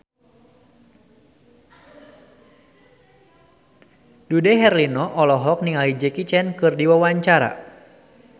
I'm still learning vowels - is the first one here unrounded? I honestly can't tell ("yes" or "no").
no